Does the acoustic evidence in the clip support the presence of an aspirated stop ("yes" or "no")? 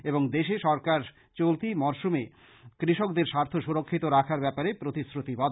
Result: yes